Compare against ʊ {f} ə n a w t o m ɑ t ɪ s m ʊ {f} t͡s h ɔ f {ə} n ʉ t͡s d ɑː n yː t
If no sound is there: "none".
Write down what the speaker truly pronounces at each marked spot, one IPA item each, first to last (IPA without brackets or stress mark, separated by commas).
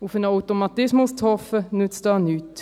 f, s, ə